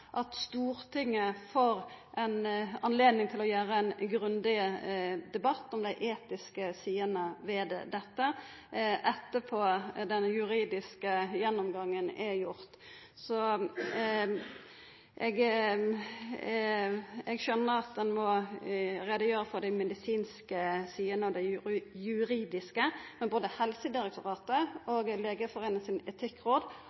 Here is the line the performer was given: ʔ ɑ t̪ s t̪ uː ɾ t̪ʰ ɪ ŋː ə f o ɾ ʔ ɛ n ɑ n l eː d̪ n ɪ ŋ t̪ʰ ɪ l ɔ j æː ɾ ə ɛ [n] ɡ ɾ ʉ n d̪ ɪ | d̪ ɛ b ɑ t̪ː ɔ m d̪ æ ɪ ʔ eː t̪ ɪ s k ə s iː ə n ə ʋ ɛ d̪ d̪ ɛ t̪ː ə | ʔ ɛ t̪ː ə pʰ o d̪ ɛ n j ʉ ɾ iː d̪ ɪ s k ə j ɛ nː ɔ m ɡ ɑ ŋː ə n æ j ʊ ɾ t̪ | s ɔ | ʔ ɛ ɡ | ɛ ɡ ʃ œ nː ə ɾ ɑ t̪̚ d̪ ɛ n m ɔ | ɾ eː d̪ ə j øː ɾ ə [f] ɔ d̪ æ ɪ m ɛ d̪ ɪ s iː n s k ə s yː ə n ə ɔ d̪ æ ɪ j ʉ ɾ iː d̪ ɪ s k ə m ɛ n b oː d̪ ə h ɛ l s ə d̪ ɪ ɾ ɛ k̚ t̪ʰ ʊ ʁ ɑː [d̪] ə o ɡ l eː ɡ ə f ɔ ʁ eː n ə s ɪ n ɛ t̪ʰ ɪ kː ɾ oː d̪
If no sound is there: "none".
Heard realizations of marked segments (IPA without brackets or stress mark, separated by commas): n, f, t̪